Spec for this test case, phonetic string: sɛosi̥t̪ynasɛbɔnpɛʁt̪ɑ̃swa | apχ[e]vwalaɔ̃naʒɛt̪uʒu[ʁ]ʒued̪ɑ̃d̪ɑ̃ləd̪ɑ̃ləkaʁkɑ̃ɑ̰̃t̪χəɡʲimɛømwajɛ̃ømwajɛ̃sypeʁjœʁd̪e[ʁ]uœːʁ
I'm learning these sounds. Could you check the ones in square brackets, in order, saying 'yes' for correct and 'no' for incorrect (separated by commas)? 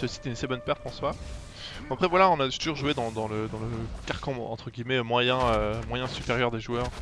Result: no, yes, no